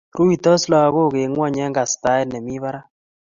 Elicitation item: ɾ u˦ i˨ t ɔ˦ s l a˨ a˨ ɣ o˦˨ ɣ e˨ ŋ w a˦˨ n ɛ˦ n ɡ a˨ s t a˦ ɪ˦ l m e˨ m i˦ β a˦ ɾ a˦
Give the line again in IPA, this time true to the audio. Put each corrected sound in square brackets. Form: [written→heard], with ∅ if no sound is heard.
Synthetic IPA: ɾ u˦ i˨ t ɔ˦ s l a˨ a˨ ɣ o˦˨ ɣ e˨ ŋ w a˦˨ [n→ɲ] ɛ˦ [n→ŋ] ɡ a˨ s t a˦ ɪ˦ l [m→n] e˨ m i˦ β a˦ ɾ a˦